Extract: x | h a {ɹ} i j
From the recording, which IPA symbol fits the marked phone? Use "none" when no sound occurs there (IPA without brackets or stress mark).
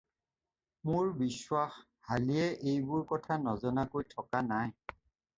l